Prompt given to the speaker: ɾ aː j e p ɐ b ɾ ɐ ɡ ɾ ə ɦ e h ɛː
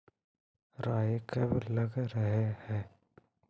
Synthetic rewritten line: ɾ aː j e k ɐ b l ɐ ɡ ɾ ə ɦ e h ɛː